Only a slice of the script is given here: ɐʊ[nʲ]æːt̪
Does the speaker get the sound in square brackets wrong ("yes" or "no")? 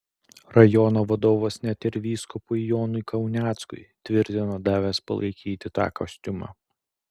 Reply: no